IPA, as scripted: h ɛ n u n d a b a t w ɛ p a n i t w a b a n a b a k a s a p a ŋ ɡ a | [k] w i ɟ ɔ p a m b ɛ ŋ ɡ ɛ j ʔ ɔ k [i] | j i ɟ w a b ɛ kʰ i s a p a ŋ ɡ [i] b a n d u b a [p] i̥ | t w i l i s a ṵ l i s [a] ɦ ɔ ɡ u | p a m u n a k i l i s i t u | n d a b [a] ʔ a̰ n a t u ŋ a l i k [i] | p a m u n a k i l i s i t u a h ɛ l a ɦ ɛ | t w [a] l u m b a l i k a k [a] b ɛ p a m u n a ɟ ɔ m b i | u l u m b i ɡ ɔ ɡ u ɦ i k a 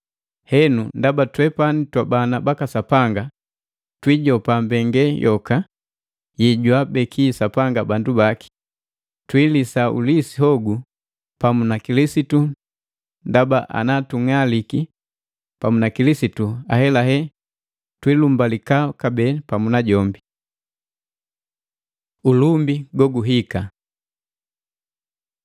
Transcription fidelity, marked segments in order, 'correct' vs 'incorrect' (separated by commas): incorrect, incorrect, incorrect, incorrect, incorrect, correct, correct, incorrect, correct